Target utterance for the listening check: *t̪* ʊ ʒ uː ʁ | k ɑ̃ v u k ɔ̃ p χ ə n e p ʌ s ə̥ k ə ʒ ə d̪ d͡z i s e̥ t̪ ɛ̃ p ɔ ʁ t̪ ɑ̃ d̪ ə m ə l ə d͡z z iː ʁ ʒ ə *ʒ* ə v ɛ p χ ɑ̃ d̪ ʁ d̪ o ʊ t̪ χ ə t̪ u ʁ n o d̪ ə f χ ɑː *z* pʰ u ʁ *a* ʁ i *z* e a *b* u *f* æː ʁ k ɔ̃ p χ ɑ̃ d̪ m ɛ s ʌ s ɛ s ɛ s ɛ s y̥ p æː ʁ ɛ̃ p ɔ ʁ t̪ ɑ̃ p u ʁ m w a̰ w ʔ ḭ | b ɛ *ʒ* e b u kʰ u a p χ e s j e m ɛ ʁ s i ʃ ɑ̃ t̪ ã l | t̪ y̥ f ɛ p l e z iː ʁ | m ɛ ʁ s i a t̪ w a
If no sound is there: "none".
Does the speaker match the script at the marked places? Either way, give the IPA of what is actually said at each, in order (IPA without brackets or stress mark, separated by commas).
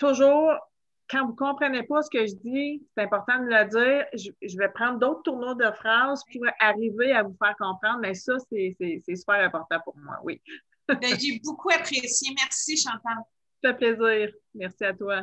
t̪, ʒ, z, a, v, v, f, ʒ